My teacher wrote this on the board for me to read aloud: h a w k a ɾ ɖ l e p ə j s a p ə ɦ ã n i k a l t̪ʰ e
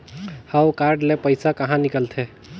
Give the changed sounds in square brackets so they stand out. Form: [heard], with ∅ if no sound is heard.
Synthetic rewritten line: h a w k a ɾ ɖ l e p ə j s a [k] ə ɦ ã n i k [ə] l t̪ʰ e